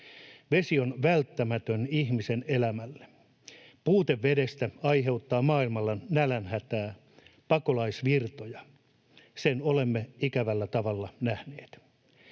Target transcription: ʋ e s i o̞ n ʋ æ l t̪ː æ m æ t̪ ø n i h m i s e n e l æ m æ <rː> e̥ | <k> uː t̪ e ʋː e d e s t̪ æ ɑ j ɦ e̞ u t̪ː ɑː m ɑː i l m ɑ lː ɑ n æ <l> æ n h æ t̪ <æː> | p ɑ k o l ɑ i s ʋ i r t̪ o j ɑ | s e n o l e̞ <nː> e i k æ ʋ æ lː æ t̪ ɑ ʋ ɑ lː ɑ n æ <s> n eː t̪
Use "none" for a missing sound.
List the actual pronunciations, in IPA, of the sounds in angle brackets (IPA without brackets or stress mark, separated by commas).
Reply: lː, p, l, æː, mː, h